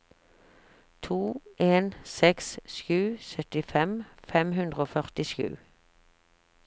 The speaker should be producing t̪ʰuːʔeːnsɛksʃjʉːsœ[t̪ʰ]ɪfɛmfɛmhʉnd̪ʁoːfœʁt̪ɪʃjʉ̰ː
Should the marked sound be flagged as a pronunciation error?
yes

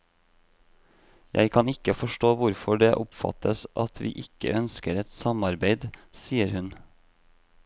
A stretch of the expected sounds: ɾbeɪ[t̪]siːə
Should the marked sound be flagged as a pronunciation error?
yes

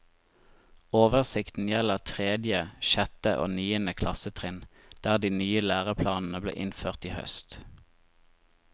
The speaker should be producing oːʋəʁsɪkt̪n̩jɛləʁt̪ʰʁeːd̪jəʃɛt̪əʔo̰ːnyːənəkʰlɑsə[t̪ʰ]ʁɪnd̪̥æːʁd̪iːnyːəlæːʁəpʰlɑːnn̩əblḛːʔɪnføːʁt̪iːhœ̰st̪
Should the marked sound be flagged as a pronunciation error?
no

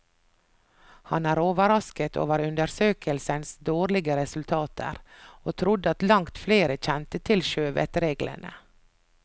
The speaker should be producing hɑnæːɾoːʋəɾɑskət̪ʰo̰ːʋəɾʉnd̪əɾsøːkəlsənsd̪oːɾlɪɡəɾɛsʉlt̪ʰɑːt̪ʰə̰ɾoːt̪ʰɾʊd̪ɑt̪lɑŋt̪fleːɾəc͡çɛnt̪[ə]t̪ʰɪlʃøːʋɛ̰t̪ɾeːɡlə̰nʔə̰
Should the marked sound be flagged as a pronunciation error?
no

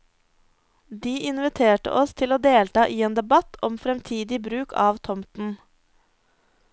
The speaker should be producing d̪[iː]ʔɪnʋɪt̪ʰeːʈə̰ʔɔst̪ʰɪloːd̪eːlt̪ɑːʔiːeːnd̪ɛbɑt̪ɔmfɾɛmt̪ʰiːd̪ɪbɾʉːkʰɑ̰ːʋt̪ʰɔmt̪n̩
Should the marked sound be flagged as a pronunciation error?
no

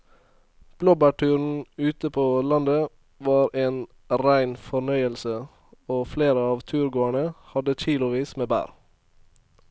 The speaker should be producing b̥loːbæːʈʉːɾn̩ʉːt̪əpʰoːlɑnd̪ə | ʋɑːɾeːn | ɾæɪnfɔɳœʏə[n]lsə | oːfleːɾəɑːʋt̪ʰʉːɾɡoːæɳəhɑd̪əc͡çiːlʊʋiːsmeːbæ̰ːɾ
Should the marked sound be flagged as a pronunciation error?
yes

